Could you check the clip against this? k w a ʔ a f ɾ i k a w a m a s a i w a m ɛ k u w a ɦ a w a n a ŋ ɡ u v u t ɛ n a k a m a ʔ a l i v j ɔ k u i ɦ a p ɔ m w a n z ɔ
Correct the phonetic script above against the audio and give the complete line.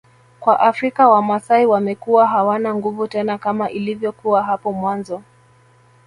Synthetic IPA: k w a ʔ a f ɾ i k a w a m a s a i w a m ɛ k u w a ɦ a w a n a ŋ ɡ u v u t ɛ n a k a m a ʔ i l i v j ɔ k u a ɦ a p ɔ m w a n z ɔ